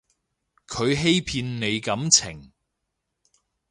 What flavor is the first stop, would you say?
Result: aspirated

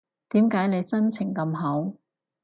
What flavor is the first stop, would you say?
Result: plain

